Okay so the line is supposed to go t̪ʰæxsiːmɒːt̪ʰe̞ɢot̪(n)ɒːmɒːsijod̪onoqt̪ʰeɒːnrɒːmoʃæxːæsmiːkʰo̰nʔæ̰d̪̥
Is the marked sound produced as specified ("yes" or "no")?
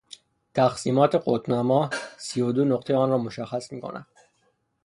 yes